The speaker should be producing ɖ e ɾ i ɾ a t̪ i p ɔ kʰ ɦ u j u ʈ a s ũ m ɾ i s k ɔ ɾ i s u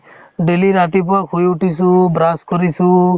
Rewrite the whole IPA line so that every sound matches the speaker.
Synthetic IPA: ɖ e l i ɾ a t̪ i p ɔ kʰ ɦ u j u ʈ i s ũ b ɾ a s k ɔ ɾ i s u